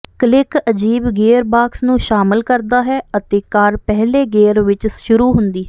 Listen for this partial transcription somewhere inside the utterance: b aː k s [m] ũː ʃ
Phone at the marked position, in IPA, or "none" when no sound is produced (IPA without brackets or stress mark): n